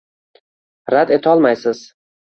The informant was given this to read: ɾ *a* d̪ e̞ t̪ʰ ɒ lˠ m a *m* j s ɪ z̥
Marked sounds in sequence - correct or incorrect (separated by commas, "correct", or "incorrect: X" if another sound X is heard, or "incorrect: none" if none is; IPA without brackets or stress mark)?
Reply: correct, incorrect: none